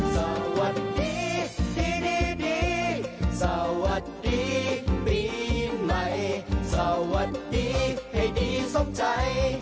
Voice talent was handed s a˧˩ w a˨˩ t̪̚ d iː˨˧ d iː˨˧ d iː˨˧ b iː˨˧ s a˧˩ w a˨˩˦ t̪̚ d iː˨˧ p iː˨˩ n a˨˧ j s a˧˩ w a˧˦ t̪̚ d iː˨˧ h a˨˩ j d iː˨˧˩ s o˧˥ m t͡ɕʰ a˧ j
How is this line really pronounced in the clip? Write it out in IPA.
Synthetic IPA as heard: s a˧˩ w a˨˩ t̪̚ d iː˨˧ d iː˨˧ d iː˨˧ d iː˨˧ s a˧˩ w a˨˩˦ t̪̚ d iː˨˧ p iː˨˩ n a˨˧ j s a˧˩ w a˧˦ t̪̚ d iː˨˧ h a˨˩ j d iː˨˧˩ s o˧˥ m t͡ɕ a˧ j